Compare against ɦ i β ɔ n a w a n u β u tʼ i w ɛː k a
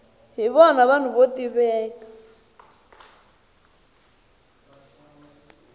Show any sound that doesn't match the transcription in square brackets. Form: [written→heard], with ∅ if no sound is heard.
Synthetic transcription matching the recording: ɦ i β ɔ n a [w→β] a n u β [u→o] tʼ i [w→β] ɛː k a